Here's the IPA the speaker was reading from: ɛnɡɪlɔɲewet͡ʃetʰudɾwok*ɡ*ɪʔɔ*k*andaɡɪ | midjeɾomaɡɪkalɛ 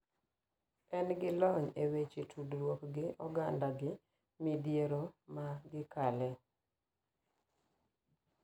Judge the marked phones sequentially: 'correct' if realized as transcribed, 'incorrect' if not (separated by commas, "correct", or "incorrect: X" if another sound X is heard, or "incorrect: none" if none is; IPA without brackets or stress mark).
correct, incorrect: ɡ